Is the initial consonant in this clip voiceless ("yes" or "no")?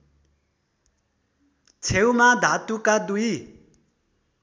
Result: yes